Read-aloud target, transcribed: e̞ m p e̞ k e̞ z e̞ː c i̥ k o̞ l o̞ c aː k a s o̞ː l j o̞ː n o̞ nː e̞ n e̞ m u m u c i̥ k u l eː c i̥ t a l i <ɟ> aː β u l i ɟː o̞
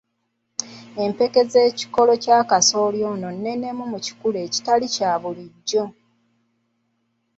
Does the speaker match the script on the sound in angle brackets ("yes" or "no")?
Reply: no